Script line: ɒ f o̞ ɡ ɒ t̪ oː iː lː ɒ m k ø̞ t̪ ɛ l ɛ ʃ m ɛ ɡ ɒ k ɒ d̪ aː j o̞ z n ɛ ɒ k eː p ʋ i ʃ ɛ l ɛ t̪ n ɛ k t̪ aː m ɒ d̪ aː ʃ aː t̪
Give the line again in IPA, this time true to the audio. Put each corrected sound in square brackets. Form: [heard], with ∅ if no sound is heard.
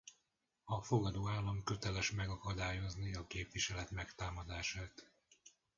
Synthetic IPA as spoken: ɒ f o̞ ɡ ɒ [d̪] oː [aː] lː ɒ m k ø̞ t̪ ɛ l ɛ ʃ m ɛ ɡ ɒ k ɒ d̪ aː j o̞ z n [i] ɒ k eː p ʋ i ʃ ɛ l ɛ t̪ [m] ɛ k t̪ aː m ɒ d̪ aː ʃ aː t̪